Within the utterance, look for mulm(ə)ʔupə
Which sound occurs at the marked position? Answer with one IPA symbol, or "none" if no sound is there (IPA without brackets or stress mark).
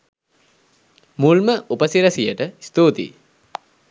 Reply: ə